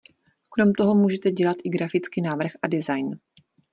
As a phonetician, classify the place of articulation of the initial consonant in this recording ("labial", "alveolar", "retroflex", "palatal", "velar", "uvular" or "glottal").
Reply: velar